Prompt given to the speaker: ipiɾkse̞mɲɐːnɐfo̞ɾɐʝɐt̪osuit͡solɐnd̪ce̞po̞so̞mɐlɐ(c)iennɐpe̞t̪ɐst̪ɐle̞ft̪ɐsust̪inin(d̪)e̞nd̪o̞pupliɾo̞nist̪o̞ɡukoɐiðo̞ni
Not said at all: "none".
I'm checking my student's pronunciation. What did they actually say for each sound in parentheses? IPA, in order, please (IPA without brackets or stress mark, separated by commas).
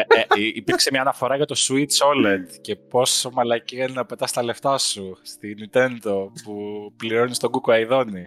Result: c, t̪